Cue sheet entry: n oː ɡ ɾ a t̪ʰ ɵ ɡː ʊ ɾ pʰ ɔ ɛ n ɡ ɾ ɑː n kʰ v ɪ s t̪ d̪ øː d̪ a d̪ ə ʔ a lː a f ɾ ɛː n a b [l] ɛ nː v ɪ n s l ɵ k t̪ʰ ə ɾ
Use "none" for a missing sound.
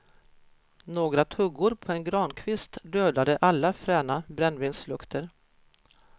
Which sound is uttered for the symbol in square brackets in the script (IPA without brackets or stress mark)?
ɾ